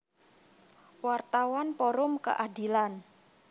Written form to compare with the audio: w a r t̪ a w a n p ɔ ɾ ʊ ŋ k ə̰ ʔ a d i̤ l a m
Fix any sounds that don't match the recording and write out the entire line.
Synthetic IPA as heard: w a r t̪ a w a n p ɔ ɾ ʊ m k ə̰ ʔ a d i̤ l a n